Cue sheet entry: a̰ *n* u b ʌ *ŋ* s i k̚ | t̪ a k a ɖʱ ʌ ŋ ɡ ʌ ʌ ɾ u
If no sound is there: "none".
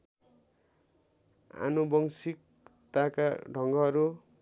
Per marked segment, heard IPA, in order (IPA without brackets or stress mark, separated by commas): n, ŋ